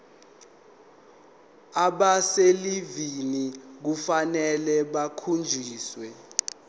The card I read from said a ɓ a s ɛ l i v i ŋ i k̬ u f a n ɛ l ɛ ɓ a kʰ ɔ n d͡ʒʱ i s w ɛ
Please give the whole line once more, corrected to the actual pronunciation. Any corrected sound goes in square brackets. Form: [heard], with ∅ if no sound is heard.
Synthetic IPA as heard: a ɓ a s [e] l i v i [n] i k̬ u f a n ɛ l ɛ ɓ a kʰ [u] n d͡ʒʱ [iː] s w ɛ